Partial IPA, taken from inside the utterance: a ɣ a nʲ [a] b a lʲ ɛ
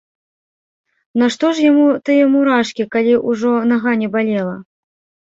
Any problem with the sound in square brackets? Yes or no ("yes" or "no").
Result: yes